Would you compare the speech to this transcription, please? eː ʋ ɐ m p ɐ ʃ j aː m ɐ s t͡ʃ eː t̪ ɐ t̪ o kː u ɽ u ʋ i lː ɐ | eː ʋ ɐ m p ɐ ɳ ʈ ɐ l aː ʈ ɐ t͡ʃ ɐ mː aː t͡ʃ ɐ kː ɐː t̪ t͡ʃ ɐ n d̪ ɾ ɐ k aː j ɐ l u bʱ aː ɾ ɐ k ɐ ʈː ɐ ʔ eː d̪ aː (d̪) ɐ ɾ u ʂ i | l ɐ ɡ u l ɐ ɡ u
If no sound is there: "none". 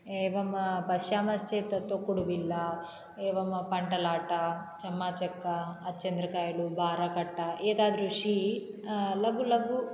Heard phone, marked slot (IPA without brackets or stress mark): d̪